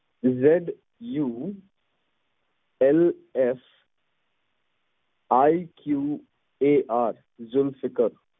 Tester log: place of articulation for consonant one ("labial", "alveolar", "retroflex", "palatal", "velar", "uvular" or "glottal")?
alveolar